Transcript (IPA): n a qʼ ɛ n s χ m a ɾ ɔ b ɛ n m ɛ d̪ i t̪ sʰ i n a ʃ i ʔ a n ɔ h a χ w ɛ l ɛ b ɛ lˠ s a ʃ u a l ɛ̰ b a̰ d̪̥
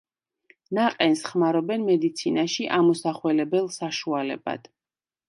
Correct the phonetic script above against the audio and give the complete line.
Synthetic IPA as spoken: n a qʼ ɛ n s χ m a ɾ ɔ b ɛ n m ɛ d̪ i t̪ sʰ i n a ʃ i ʔ a m ɔ s a χ w ɛ l ɛ b ɛ lˠ s a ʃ u a l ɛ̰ b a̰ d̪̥